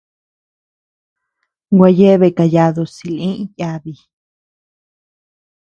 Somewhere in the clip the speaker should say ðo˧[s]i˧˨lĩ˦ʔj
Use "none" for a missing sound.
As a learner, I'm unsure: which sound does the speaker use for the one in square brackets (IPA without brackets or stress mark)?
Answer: s